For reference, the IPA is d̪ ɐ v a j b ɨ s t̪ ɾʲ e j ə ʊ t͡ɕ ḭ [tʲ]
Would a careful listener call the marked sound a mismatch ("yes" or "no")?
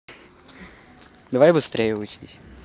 yes